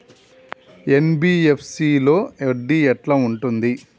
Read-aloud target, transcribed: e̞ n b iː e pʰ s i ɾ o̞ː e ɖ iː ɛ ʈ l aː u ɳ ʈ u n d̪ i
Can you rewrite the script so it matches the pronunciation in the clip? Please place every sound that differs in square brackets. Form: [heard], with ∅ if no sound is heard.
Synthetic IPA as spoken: e̞ n b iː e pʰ s i [l] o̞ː e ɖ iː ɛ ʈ l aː u ɳ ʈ u n d̪ i